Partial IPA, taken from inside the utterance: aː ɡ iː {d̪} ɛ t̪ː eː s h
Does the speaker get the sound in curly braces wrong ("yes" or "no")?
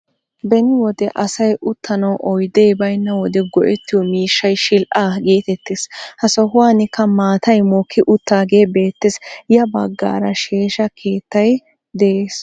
yes